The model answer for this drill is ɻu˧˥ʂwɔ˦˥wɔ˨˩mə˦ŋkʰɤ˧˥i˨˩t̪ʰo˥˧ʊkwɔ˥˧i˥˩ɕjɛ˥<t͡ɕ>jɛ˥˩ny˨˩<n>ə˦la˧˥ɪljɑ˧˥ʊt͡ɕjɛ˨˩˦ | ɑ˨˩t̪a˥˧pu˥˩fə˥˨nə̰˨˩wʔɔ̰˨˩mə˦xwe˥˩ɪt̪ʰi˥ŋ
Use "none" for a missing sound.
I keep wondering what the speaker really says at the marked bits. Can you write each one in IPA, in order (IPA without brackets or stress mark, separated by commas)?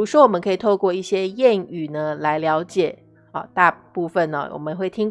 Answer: none, n